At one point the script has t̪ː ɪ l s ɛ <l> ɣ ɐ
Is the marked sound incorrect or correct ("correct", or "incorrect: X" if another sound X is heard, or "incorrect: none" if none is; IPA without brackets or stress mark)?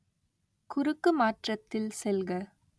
correct